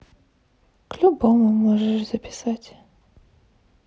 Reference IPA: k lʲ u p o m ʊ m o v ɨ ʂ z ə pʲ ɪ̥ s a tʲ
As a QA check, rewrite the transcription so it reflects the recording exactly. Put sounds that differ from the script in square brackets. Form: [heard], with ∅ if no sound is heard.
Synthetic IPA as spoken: k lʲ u [b] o m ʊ m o [ʐ] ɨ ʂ z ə pʲ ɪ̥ s a tʲ